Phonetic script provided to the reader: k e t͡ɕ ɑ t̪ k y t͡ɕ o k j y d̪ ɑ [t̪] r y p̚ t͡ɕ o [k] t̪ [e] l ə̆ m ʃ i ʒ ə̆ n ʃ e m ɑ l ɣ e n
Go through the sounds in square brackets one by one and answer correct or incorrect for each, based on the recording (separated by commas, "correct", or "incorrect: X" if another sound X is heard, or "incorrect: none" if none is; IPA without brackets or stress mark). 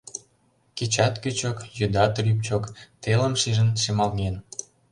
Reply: correct, correct, correct